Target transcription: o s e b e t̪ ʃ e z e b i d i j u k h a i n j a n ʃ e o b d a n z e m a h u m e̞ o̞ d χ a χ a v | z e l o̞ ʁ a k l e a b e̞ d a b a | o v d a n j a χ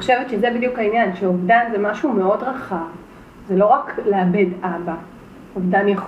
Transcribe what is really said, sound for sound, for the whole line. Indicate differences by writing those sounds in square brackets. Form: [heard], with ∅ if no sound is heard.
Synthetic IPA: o [ʃ] e [v] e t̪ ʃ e z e b i d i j u k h a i n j a n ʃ e o [v] d a n z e m a [ʃ] u m e̞ o̞ d [ʁ] a χ a v | z e l o̞ ʁ a k l e a b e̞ d a b a | o v d a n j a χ